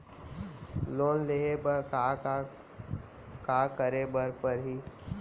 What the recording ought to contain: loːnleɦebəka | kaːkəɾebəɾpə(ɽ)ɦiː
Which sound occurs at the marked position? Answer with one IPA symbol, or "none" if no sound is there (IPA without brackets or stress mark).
ɾ